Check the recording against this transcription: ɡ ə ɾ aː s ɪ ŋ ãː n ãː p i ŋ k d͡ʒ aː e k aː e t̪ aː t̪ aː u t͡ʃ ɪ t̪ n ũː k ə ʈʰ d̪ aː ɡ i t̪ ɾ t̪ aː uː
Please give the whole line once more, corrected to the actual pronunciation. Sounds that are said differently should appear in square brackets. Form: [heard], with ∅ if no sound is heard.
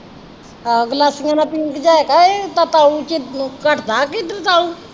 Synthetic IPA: ɡ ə [l] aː s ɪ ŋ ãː n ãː p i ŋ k d͡ʒ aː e k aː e t̪ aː t̪ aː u t͡ʃ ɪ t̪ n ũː k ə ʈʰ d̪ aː [k] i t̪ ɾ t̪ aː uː